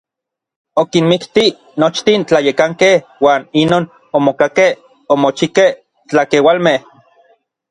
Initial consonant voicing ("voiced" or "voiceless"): voiceless